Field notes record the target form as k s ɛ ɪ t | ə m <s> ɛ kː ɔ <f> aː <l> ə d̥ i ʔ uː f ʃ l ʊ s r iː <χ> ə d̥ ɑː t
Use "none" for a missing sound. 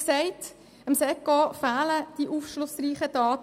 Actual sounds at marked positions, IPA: s, f, l, χ

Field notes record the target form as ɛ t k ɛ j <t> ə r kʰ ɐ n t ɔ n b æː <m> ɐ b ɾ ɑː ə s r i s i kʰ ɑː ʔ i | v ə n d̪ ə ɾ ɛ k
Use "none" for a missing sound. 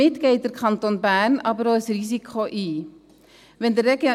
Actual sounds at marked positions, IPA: t, n

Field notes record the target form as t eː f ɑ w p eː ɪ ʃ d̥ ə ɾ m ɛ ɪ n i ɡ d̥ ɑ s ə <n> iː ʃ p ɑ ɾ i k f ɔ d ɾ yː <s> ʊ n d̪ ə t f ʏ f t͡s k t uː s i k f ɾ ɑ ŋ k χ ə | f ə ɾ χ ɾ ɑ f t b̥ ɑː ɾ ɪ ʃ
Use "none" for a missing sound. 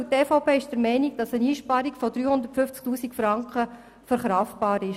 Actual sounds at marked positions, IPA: n, h

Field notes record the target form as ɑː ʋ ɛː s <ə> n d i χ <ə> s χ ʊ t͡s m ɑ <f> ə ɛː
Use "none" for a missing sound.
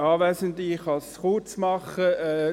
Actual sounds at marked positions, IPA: ə, ɑ, χ

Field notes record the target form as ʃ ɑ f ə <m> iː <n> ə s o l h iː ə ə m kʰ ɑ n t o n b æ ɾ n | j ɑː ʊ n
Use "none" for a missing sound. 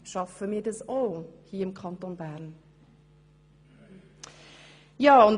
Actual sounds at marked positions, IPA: m, d

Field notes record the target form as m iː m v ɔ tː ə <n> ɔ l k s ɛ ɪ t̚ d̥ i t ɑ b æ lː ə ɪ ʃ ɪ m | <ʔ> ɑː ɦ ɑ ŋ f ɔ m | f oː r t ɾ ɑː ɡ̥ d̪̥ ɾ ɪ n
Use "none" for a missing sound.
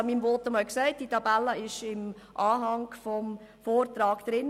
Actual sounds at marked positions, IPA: m, ʔ

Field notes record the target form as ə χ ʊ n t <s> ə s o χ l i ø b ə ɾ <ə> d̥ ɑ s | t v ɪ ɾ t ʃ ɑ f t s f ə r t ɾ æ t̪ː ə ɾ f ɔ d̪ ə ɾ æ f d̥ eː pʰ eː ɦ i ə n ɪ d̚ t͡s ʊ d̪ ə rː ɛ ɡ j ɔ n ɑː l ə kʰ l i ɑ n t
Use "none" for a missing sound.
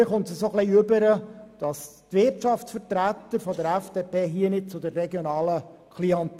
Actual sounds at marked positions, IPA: s, ə

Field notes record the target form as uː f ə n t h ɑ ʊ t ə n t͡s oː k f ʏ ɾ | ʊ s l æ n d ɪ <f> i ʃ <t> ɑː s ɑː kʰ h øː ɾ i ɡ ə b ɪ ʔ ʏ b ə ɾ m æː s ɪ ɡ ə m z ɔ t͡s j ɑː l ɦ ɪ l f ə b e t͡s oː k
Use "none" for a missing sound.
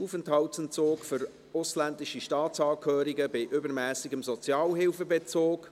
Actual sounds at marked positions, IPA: ʃ, t

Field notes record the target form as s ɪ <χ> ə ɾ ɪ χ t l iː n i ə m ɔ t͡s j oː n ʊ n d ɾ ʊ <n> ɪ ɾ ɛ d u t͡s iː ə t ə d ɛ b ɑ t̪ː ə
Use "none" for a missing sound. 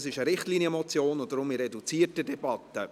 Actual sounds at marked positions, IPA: ʃ, m

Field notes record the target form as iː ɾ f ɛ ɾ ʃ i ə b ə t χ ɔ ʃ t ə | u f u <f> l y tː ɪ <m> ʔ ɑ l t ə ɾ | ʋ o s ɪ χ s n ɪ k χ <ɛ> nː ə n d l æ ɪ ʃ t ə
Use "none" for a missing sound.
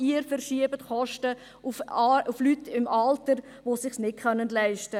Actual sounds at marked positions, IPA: f, m, œ

